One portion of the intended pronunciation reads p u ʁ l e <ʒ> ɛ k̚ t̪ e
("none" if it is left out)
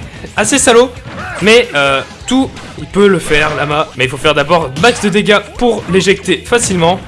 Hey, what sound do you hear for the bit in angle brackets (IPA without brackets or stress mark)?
ʒ